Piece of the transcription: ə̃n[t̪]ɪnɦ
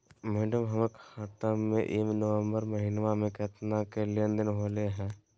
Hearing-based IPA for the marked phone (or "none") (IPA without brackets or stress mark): d̪